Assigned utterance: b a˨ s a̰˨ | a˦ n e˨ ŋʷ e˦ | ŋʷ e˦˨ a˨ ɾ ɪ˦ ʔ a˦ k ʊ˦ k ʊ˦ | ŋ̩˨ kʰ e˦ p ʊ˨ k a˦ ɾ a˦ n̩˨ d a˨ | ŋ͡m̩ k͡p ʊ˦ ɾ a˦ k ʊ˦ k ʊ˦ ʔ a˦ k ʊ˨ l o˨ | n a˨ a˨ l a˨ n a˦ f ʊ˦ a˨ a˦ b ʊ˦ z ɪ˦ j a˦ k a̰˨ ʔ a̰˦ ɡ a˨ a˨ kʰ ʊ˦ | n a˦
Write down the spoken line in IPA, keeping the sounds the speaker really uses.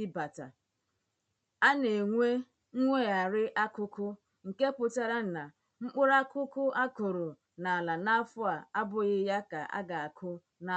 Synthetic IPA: b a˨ t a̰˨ | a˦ n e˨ ŋʷ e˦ | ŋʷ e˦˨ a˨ ɾ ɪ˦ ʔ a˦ k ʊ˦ k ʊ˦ | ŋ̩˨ k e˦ p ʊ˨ t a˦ ɾ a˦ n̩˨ n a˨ | ŋ͡m̩ k͡p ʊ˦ ɾ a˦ k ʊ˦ k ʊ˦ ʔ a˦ k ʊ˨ ɾ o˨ | n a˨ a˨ l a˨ n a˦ f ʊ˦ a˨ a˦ b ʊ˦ ɣ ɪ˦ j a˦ k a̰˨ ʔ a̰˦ ɡ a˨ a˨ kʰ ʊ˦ | n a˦